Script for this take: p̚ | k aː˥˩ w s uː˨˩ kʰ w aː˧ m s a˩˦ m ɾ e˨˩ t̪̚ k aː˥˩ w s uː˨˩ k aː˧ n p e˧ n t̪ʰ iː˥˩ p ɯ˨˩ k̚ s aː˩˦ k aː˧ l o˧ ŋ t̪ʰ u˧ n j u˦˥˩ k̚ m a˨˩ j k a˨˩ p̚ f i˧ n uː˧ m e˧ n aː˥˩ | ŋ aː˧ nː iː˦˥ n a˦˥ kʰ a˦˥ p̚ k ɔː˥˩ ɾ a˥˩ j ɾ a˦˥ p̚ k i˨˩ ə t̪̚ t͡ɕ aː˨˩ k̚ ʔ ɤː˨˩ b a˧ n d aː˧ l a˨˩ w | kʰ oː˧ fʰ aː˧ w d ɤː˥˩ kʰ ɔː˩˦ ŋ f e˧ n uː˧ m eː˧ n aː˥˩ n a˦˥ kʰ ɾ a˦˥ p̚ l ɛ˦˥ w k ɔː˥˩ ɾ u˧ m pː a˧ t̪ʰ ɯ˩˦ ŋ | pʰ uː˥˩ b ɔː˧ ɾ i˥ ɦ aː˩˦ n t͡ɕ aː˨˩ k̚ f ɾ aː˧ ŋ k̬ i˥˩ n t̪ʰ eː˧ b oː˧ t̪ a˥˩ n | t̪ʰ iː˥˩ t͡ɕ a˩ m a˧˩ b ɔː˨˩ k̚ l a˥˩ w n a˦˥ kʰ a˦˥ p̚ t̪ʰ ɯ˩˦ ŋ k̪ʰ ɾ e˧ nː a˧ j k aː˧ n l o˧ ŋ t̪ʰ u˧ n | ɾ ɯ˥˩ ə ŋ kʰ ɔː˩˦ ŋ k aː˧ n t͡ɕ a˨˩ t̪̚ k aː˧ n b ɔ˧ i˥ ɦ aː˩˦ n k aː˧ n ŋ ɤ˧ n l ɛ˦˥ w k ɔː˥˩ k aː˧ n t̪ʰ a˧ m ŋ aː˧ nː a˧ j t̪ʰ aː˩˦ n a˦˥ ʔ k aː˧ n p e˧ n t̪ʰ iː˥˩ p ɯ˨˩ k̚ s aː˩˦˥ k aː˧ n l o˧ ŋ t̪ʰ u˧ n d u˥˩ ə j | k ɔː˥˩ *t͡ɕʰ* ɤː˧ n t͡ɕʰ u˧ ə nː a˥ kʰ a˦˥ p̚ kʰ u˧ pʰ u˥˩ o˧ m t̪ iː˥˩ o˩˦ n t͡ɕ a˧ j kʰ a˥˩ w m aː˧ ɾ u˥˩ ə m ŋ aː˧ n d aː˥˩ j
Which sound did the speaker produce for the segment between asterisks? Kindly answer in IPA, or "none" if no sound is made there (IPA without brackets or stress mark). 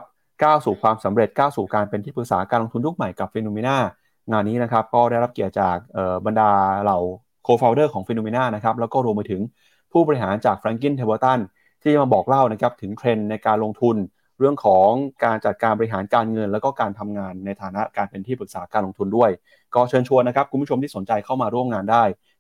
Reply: t͡ɕʰ